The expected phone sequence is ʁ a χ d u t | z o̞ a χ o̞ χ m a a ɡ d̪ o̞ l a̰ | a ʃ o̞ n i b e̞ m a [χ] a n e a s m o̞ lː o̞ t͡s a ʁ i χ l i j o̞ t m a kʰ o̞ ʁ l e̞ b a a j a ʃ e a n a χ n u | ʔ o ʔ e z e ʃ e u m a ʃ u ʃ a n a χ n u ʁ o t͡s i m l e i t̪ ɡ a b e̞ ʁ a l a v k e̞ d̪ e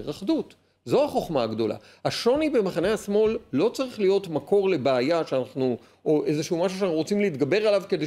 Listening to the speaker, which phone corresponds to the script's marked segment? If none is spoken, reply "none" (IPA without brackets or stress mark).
χ